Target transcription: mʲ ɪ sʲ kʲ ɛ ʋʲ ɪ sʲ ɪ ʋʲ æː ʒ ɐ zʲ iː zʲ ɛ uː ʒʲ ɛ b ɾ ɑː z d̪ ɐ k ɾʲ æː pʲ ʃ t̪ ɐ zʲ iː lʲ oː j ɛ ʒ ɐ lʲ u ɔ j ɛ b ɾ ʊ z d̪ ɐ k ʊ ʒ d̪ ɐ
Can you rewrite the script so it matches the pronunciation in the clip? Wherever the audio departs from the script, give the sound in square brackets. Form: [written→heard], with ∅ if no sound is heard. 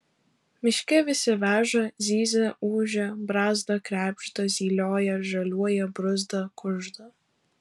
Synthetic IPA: mʲ ɪ [sʲ→ʃʲ] kʲ ɛ ʋʲ ɪ sʲ ɪ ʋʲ æː ʒ ɐ zʲ iː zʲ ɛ uː ʒʲ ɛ b ɾ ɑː z d̪ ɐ k ɾʲ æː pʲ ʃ t̪ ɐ zʲ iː lʲ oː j ɛ ʒ ɐ lʲ u ɔ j ɛ b ɾ ʊ z d̪ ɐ k ʊ ʒ d̪ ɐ